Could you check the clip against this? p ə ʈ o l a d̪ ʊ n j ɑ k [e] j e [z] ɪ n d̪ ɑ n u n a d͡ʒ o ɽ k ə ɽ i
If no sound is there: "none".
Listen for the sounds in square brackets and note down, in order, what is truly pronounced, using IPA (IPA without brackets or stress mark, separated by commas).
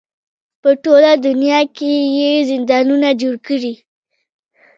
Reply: e, z